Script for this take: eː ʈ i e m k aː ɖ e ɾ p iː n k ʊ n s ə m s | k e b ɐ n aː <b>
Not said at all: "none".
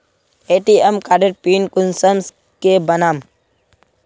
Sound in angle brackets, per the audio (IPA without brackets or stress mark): m